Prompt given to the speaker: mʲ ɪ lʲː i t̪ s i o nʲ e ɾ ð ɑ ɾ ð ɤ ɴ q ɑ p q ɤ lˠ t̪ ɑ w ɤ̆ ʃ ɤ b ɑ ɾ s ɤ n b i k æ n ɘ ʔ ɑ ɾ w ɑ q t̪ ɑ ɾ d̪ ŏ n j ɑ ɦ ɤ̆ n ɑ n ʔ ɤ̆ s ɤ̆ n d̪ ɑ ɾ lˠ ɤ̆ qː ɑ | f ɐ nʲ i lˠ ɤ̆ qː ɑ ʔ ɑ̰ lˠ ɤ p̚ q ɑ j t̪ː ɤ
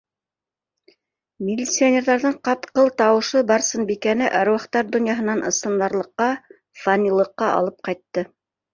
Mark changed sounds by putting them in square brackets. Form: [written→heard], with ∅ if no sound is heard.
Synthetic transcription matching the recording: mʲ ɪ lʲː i t̪ s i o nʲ e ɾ ð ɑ ɾ ð ɤ ɴ q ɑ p q ɤ lˠ t̪ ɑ w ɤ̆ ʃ ɤ b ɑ ɾ s ɤ n b i k æ n ɘ ʔ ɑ ɾ w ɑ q t̪ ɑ ɾ d̪ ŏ n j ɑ ɦ ɤ̆ n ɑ n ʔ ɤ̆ s ɤ̆ n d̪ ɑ ɾ lˠ ɤ̆ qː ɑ | f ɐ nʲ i lˠ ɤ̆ qː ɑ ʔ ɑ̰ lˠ ɤ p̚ q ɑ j t̪ː ɤ

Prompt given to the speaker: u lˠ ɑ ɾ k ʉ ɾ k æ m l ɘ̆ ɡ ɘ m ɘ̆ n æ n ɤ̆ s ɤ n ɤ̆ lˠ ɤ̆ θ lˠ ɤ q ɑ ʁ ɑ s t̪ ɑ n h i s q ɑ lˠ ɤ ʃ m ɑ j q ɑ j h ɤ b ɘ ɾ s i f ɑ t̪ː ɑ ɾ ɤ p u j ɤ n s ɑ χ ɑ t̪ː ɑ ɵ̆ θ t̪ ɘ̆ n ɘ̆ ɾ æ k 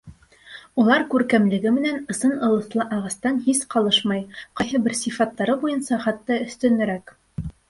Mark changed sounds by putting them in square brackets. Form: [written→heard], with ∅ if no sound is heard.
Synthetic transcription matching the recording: u lˠ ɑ ɾ k ʉ ɾ k æ m l ɘ̆ ɡ ɘ m ɘ̆ n æ n ɤ̆ s ɤ n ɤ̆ lˠ ɤ̆ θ lˠ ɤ [q→ʔ] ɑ ʁ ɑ s t̪ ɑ n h i s q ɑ lˠ ɤ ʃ m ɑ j q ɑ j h ɤ b ɘ ɾ s i f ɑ t̪ː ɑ ɾ ɤ [p→b] u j ɤ n s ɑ χ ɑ t̪ː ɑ ɵ̆ θ t̪ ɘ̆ n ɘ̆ ɾ æ k

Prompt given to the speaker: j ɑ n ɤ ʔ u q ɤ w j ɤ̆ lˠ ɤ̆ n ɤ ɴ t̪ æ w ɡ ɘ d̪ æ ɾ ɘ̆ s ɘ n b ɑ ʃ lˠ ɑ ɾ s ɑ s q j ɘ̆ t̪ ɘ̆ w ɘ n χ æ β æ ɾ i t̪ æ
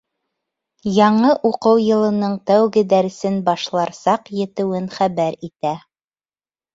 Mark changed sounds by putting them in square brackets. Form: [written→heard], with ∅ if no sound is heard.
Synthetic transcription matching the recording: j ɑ [n→ɴ] ɤ ʔ u q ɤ w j ɤ̆ lˠ ɤ̆ n ɤ ɴ t̪ æ w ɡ ɘ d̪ æ ɾ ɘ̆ s ɘ n b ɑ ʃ lˠ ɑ ɾ s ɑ [s→∅] q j ɘ̆ t̪ ɘ̆ w ɘ n χ æ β æ ɾ i t̪ æ

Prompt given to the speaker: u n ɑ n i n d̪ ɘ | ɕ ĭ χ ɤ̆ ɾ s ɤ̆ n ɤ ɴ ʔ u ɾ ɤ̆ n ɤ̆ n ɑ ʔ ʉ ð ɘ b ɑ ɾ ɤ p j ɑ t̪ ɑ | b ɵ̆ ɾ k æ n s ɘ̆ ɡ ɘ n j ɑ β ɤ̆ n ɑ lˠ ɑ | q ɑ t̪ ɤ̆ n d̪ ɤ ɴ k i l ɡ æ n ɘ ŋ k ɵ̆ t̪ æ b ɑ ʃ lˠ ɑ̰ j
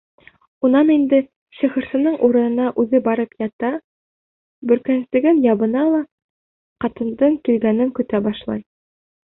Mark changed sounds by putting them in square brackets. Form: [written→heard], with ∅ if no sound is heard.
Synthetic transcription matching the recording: u n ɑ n i n d̪ ɘ | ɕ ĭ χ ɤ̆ ɾ s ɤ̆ n ɤ ɴ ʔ u ɾ ɤ̆ n ɤ̆ n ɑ ʔ ʉ ð ɘ b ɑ ɾ ɤ p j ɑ t̪ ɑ | b ɵ̆ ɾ k æ n s ɘ̆ ɡ ɘ n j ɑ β ɤ̆ n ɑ lˠ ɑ | q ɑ t̪ ɤ̆ n d̪ ɤ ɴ k i l ɡ æ n ɘ ŋ k ɵ̆ t̪ æ b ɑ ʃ lˠ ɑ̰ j

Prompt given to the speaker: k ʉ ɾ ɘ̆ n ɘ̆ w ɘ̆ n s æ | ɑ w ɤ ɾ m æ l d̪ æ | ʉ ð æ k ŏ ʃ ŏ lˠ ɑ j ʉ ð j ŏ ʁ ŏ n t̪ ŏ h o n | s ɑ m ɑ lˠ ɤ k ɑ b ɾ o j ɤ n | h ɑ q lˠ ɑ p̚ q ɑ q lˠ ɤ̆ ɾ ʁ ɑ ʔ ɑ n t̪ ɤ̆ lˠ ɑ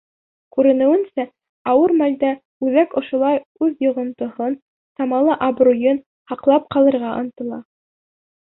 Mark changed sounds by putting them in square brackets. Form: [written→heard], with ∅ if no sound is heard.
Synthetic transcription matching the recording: k ʉ ɾ ɘ̆ n ɘ̆ w ɘ̆ n s æ | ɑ w ɤ ɾ m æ l d̪ æ | ʉ ð æ k ŏ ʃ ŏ lˠ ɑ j ʉ ð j ŏ ʁ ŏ n t̪ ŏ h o n | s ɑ m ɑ lˠ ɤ [k→ʔ] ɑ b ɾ [o→u] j ɤ n | h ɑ q lˠ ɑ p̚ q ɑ [q→∅] lˠ ɤ̆ ɾ ʁ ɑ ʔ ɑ n t̪ ɤ̆ lˠ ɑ

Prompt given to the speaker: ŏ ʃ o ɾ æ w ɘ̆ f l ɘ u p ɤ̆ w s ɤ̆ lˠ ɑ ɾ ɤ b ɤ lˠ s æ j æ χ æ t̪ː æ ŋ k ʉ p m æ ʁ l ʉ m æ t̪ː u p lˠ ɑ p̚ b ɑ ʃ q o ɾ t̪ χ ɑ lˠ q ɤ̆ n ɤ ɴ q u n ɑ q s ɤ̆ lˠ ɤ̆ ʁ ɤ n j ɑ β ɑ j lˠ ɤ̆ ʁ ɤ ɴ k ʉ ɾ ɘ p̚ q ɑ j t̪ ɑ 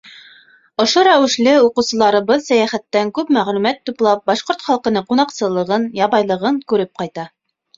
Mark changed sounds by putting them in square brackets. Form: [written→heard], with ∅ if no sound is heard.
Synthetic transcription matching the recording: ŏ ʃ o ɾ æ w ɘ̆ [f→ʃ] l ɘ u [p→q] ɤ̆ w s ɤ̆ lˠ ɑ ɾ ɤ b ɤ lˠ s æ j æ χ æ t̪ː æ ŋ k ʉ p m æ ʁ l ʉ m æ t̪ː u p lˠ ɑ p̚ b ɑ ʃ q o ɾ t̪ χ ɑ lˠ q ɤ̆ n ɤ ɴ q u n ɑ q s ɤ̆ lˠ ɤ̆ ʁ ɤ n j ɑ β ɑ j lˠ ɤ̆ ʁ ɤ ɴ k ʉ ɾ ɘ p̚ q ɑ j t̪ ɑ

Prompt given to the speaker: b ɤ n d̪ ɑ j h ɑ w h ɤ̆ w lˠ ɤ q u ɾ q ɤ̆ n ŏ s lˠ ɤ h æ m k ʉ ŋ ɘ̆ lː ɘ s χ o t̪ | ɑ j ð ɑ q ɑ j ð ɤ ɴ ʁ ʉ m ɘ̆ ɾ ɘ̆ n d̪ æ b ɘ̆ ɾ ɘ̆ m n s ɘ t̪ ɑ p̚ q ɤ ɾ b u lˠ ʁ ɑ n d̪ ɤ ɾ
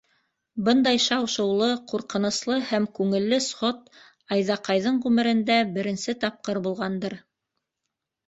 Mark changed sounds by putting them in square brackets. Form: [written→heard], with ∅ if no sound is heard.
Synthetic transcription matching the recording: b ɤ n d̪ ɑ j [h→ʃ] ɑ w [h→ʃ] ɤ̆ w lˠ ɤ q u ɾ q ɤ̆ n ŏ s lˠ ɤ h æ m k ʉ ŋ ɘ̆ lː ɘ s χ o t̪ | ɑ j ð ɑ q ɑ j ð ɤ ɴ ʁ ʉ m ɘ̆ ɾ ɘ̆ n d̪ æ b ɘ̆ ɾ ɘ̆ [m→∅] n s ɘ t̪ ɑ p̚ q ɤ ɾ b u lˠ ʁ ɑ n d̪ ɤ ɾ

